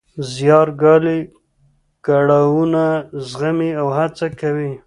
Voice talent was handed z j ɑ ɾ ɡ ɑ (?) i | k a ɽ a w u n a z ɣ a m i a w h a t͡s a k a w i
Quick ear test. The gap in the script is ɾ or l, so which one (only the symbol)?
l